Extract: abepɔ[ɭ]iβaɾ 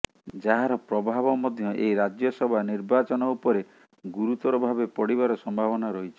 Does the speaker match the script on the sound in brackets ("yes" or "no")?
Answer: no